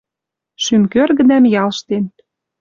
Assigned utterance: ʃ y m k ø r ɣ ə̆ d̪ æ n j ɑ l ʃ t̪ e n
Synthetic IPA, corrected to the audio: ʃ y m k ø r ɣ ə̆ d̪ æ m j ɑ l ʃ t̪ e n